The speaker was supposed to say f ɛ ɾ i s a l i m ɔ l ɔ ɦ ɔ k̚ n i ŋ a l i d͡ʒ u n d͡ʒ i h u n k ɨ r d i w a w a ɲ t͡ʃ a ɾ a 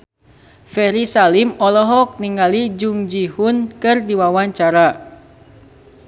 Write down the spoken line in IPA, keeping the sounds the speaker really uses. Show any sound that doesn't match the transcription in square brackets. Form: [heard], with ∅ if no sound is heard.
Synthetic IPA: f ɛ ɾ i s a l i m ɔ l ɔ ɦ ɔ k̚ n i ŋ a l i d͡ʒ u [ŋ] d͡ʒ i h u n k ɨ r d i w a w a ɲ t͡ʃ a ɾ a